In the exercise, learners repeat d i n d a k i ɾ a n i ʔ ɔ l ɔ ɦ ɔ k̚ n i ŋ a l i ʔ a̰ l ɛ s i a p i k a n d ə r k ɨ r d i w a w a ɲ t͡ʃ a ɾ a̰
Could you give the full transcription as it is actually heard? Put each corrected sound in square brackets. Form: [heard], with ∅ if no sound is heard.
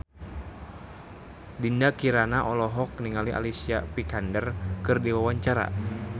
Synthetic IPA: d i n d a k i ɾ a n [a] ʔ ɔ l ɔ ɦ ɔ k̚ n i ŋ a l i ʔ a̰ l [i] s i a p i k a n d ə r k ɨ r d i w a w a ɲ t͡ʃ a ɾ a̰